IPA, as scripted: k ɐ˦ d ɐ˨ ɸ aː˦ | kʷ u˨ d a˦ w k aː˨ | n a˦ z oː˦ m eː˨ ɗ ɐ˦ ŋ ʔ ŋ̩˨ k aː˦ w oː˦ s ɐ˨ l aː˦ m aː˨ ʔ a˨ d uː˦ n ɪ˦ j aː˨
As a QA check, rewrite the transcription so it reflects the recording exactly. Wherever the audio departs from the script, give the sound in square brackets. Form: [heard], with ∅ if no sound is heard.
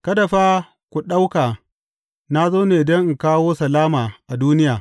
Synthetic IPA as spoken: k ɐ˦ d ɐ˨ ɸ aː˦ | kʷ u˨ [ɗ] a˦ w k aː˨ | n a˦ z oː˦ [n] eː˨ [d] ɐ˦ ŋ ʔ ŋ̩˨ k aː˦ w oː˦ s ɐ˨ l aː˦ m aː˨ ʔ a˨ d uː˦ n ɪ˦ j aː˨

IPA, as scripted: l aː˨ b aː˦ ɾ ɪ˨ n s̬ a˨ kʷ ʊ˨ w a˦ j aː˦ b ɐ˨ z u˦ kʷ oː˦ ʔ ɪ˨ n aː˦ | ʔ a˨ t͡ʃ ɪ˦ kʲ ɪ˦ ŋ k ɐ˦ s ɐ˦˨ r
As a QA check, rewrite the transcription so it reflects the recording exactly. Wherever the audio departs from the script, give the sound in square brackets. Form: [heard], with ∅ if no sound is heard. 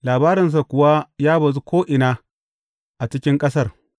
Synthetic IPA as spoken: l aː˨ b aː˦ ɾ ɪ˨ n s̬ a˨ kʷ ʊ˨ w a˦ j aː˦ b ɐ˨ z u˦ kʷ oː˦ ʔ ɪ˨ n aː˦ | ʔ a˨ t͡ʃ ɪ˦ kʲ ɪ˦ ŋ [kʼ] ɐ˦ s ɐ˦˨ r

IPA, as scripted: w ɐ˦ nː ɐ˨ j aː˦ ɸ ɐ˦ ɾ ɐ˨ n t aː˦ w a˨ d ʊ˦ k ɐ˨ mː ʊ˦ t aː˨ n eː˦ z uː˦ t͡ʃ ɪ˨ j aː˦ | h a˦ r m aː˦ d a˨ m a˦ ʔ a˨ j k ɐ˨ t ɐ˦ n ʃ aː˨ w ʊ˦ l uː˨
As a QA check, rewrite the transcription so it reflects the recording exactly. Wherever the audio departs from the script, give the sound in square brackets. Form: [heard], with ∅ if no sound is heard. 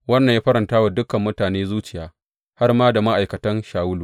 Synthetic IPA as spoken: w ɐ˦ nː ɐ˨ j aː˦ ɸ ɐ˦ ɾ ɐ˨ n t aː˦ w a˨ d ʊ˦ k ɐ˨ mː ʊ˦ t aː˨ n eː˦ z uː˦ t͡ʃ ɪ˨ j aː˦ | h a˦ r m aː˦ d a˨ m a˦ ʔ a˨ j k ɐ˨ t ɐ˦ n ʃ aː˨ w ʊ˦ l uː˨

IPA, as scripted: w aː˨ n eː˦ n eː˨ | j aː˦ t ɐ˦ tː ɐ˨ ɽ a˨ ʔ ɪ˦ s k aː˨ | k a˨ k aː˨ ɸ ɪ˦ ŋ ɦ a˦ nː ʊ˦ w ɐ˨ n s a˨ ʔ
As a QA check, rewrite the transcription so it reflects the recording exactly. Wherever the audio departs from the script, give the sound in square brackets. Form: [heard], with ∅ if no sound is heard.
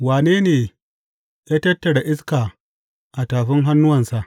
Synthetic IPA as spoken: w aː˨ n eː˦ n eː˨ | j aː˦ t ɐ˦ tː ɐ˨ ɽ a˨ ʔ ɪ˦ s k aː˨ | [ʔ] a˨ [t] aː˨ ɸ ɪ˦ ŋ ɦ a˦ nː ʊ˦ w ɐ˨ n s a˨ ʔ

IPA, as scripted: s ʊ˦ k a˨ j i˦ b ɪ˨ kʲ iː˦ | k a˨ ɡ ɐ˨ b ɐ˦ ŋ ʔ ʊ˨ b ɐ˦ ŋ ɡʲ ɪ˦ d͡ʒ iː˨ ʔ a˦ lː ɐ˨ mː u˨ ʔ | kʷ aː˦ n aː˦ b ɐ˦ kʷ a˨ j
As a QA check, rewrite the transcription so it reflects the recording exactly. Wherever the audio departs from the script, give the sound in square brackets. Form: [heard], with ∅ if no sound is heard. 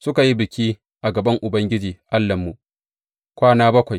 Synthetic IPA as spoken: s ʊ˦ k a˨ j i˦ b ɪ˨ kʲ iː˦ | [ʔ] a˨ ɡ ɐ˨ b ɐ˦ ŋ ʔ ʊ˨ b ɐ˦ ŋ ɡʲ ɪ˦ d͡ʒ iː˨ ʔ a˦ lː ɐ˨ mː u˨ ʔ | kʷ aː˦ n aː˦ b ɐ˦ kʷ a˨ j

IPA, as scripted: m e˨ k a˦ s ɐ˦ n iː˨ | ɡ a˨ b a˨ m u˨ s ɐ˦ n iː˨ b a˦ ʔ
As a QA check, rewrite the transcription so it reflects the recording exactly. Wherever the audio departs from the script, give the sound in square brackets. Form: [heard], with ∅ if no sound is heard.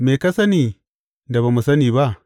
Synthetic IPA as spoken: m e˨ k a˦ s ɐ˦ n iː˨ | [d] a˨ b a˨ m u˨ s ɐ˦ n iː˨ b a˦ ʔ

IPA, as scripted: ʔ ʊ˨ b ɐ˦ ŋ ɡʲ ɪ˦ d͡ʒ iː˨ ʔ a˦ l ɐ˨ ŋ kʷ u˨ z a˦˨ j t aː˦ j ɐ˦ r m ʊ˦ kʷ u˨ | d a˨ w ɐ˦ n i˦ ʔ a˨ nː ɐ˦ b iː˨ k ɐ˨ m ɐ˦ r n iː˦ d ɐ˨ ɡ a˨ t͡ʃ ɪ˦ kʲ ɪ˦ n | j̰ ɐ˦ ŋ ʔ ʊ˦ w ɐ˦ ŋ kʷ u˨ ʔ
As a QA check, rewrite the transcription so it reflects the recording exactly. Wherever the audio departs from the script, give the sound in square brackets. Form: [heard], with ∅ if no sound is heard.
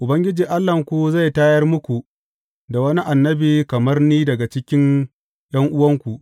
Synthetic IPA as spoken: ʔ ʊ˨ b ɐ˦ ŋ ɡʲ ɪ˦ d͡ʒ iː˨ ʔ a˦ [lː] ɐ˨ ŋ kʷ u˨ z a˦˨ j t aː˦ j ɐ˦ r m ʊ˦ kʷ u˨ | d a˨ w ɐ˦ n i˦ ʔ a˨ nː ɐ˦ b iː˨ k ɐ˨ m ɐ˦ r n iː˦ d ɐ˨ ɡ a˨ t͡ʃ ɪ˦ kʲ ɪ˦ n | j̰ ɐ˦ ŋ ʔ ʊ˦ w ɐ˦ ŋ kʷ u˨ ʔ

